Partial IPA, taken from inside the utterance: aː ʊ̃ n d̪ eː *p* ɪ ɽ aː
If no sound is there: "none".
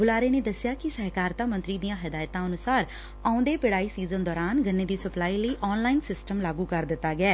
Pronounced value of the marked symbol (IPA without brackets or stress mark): p